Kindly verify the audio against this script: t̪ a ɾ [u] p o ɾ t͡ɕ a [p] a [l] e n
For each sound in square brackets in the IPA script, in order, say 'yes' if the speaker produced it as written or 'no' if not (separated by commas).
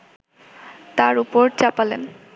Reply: yes, yes, yes